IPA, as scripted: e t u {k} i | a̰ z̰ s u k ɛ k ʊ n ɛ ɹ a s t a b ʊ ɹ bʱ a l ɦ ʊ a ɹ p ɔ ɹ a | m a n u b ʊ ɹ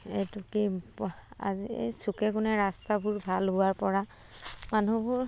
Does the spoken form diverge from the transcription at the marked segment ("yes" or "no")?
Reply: no